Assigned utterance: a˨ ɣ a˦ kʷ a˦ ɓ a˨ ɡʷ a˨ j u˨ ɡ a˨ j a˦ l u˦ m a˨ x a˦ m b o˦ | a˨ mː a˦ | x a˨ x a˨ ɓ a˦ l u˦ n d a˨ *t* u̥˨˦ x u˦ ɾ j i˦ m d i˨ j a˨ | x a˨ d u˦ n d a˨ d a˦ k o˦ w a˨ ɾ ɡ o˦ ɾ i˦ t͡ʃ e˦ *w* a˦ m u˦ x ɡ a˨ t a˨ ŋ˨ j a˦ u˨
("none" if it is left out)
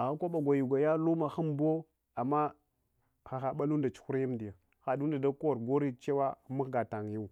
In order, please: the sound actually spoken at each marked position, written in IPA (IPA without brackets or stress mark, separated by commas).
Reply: t͡ʃ, w